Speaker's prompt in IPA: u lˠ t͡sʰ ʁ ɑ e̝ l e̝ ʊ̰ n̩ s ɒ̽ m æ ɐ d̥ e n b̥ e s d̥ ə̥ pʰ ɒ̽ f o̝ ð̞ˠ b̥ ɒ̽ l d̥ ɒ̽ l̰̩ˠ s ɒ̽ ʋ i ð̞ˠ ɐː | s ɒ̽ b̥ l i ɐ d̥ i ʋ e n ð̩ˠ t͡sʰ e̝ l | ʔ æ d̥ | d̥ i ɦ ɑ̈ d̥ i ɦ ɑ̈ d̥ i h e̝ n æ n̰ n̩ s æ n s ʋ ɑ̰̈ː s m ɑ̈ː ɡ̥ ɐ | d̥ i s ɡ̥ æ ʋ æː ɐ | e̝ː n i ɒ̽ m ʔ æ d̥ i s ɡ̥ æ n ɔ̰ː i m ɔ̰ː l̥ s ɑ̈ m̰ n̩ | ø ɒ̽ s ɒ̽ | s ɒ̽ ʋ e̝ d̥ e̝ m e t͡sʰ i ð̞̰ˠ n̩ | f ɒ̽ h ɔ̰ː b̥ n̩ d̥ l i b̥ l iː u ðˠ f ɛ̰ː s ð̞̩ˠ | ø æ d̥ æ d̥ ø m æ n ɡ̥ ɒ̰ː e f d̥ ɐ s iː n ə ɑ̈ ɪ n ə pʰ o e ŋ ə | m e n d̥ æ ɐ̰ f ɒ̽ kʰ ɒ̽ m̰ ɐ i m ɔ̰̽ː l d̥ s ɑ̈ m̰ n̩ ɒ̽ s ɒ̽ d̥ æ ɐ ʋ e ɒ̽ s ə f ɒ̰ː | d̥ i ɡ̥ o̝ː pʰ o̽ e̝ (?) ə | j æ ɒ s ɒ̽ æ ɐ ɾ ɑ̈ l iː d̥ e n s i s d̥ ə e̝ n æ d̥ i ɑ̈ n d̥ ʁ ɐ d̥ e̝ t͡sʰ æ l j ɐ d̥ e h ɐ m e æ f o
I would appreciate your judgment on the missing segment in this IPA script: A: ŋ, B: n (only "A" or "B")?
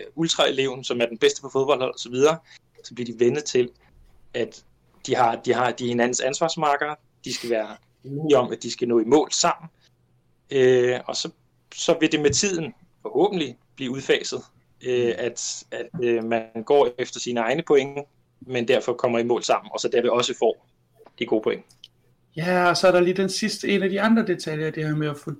A